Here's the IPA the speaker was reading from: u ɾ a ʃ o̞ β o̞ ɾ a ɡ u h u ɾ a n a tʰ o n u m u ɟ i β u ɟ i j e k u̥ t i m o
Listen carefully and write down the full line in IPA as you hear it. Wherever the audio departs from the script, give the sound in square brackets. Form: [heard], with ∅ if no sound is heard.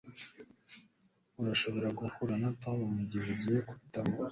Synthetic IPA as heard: u ɾ a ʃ o̞ β o̞ ɾ a ɡ u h u ɾ a n a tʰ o [m] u m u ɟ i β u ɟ i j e k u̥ t [a] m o